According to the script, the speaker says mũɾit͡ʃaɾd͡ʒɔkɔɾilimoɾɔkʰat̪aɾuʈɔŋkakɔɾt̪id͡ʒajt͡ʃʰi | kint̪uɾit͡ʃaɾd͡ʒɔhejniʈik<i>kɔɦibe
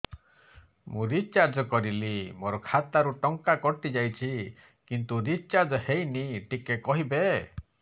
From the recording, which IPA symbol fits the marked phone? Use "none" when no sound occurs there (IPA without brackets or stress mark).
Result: e